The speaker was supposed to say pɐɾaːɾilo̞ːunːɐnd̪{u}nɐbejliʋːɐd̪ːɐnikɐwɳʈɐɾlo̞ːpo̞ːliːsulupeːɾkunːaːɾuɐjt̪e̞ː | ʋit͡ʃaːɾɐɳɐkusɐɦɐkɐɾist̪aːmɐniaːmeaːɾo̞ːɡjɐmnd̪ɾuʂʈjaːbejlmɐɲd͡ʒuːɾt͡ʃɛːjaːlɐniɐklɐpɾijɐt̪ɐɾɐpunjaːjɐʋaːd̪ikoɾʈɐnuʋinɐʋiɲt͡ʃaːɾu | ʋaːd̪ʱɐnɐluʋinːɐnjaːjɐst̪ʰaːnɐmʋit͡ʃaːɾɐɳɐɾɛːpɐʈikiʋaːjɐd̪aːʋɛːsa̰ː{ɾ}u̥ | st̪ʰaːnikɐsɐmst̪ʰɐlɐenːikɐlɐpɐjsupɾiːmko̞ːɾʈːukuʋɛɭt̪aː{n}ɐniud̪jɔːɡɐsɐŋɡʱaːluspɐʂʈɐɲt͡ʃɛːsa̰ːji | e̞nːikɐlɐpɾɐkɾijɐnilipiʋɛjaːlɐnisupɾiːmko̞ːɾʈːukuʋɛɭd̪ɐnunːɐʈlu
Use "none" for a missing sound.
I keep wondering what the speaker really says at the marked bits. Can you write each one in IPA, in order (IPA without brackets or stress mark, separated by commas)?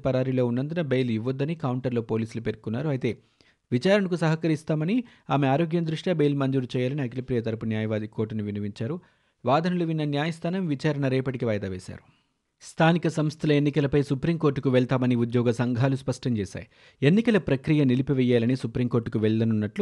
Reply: u, ɾ, m